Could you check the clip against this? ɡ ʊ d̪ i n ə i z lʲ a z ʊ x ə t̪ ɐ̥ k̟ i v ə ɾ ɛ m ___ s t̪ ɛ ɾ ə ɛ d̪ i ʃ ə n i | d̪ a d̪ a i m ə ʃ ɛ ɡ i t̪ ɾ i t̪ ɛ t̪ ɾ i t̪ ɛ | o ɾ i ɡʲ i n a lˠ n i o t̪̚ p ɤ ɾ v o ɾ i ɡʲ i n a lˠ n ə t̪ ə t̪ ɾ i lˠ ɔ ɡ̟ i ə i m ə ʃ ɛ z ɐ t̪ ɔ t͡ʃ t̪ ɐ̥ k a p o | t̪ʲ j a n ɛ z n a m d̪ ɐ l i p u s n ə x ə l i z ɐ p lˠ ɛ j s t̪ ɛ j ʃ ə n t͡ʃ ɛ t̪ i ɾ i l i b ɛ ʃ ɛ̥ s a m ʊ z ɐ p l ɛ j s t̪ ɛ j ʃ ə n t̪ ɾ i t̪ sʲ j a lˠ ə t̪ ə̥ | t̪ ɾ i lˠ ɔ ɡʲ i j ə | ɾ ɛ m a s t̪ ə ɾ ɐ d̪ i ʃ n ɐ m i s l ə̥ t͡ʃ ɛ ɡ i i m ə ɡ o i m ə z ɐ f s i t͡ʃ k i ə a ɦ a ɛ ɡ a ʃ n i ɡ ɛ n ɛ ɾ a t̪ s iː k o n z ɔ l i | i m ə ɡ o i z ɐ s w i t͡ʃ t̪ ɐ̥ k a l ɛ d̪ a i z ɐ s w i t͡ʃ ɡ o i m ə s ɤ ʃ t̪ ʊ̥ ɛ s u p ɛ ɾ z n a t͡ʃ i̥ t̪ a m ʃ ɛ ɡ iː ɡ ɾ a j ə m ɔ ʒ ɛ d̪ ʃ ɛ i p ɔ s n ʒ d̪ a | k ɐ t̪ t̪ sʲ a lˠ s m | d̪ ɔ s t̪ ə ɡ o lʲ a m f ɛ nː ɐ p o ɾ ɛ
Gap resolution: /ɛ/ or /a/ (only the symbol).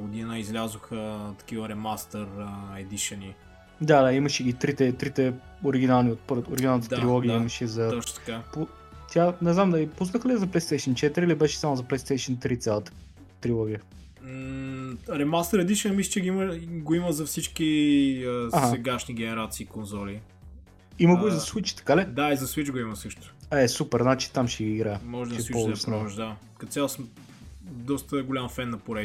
a